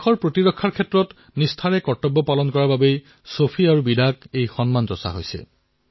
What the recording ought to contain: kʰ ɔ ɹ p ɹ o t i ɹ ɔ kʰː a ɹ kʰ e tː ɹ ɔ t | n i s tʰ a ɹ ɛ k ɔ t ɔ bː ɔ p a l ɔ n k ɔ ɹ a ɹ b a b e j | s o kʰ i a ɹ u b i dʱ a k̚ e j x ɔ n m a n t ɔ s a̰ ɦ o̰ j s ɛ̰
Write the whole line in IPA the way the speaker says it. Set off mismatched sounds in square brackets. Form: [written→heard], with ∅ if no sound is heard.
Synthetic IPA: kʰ ɔ ɹ p ɹ o t i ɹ ɔ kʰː a ɹ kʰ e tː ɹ ɔ t | n i s tʰ a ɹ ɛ k ɔ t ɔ bː ɔ p a l ɔ n k ɔ ɹ a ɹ b a b e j | s o [kʰ→pʰ] i a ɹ u b i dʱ a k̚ e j x ɔ n m a n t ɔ s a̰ ɦ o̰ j s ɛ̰